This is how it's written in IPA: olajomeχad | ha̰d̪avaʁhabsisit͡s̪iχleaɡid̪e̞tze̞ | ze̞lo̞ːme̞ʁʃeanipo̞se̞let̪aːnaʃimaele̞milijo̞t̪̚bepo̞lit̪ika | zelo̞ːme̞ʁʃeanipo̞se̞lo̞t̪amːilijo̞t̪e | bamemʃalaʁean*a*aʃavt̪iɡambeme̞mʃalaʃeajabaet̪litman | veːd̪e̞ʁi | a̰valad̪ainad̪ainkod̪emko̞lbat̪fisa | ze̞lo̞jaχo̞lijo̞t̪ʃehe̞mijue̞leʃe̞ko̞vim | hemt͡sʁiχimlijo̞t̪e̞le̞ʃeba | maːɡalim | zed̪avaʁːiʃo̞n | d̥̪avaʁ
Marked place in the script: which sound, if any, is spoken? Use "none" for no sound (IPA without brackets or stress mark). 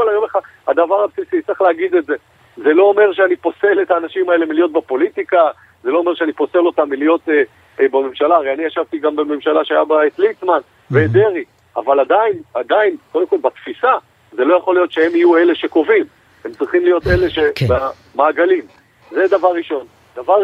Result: i